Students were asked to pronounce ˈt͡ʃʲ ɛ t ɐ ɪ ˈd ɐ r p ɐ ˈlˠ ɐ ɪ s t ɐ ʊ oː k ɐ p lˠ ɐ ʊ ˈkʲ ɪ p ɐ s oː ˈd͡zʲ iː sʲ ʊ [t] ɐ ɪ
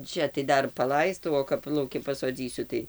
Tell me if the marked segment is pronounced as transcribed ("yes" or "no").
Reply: yes